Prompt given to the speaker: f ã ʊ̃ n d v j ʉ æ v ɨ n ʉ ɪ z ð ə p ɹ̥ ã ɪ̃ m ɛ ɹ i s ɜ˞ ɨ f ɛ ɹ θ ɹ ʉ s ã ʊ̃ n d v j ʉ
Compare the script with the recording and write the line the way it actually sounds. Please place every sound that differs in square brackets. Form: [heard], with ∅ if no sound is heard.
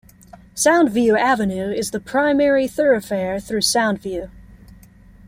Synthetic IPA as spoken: [s] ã ʊ̃ n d v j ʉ æ v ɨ n ʉ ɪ z ð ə [pʰ] ɹ̥ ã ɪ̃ m ɛ ɹ i [θ] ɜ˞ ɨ f ɛ ɹ θ ɹ ʉ s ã ʊ̃ n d v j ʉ